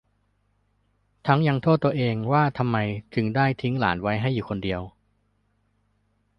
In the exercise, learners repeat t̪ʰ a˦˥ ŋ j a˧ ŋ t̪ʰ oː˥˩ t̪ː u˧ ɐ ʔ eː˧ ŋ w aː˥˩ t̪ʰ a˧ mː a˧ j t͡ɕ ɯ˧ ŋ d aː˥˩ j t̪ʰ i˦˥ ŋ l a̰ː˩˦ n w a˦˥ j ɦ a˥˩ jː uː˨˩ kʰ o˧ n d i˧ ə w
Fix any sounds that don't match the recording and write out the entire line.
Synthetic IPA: t̪ʰ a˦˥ ŋ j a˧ ŋ t̪ʰ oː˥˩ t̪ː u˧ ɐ ʔ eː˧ ŋ w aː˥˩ t̪ʰ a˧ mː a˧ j t͡ɕ ɯ˧ ŋ d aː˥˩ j t̪ʰ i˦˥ ŋ l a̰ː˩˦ n w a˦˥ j ɦ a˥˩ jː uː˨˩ kʰ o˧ n d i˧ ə w